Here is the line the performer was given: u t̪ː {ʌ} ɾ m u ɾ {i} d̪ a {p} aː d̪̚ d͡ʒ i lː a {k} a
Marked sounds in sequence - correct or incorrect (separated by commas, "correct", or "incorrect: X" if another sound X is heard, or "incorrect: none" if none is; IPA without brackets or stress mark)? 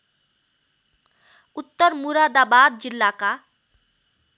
incorrect: ə, incorrect: a, incorrect: b, correct